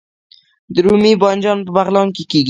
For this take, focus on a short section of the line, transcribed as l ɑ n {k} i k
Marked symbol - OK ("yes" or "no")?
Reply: yes